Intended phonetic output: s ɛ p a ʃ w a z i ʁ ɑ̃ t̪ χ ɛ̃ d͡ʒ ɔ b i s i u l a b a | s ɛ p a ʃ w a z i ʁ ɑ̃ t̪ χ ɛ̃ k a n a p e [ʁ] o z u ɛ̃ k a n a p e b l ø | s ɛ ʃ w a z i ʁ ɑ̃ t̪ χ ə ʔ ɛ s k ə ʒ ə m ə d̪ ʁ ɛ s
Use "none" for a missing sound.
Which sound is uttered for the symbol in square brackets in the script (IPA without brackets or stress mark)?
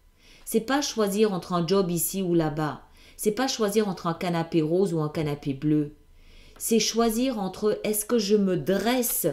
ʁ